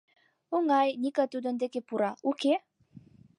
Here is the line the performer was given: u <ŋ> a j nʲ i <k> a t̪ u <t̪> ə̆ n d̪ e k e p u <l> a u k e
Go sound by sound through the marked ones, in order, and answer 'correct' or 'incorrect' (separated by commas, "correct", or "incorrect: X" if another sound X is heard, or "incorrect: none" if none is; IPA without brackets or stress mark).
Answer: correct, correct, incorrect: d̪, incorrect: ɾ